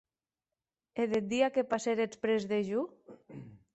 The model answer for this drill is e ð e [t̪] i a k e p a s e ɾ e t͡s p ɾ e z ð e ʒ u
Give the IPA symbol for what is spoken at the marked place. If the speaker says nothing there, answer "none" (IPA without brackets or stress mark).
d̪